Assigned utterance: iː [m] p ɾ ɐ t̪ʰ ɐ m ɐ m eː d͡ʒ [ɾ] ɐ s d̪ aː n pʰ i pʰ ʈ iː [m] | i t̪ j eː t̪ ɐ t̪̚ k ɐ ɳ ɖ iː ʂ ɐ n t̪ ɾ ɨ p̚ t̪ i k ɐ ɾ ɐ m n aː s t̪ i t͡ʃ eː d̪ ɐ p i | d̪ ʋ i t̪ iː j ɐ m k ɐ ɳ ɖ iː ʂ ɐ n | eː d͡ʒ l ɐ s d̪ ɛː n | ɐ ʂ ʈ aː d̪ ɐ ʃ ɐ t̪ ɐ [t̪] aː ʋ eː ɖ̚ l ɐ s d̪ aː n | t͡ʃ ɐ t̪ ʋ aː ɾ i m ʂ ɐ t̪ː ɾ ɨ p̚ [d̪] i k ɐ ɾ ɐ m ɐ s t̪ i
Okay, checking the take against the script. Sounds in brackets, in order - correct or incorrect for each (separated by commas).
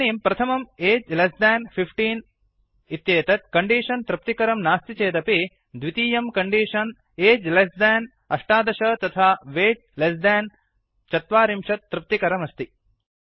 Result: correct, incorrect, incorrect, incorrect, incorrect